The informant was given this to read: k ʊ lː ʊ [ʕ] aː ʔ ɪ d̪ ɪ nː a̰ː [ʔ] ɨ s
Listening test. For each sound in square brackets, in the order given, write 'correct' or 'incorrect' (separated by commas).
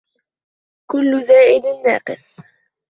incorrect, incorrect